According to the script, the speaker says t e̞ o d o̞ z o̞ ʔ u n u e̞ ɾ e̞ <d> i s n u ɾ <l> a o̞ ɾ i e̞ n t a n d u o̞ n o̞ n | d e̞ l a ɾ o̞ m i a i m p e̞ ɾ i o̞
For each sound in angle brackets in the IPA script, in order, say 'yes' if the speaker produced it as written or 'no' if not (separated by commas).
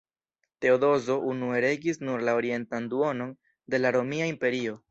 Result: no, yes